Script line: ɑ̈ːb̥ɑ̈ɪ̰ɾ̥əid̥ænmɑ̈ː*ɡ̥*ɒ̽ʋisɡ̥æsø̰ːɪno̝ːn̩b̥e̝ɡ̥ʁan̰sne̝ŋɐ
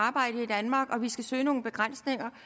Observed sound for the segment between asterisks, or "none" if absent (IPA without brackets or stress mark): ɡ̥